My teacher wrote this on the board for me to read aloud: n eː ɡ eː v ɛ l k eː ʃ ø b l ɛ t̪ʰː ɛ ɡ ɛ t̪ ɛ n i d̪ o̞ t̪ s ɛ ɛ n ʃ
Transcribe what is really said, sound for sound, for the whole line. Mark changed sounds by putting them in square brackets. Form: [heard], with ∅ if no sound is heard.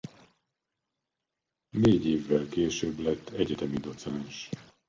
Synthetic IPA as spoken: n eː [ɟ] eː [vː] ɛ l k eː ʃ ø b l ɛ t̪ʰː ɛ [ɟ] ɛ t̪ ɛ [m] i d̪ o̞ t̪ s ɛ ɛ n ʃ